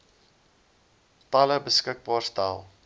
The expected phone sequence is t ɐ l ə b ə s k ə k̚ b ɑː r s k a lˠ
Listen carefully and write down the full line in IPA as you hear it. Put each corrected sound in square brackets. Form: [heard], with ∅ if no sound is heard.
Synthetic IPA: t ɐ l ə b ə s k ə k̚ b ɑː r s [t] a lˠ